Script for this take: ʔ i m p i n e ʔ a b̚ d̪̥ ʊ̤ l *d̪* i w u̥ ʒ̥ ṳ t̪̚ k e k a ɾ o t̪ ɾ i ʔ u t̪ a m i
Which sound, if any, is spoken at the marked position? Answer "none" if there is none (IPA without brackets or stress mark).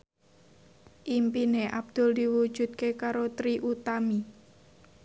d̪